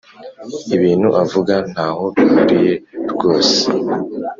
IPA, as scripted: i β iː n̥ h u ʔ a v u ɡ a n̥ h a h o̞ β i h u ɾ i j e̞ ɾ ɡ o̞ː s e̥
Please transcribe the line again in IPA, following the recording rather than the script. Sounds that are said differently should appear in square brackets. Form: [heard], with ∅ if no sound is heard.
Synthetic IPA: i β iː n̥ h u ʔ a v u ɡ a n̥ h a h o̞ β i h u ɾ i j e̞ ɾ ɡ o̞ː s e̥